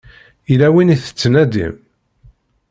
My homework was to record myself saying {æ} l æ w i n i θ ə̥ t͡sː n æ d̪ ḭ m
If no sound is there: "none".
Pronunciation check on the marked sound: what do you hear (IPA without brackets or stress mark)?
i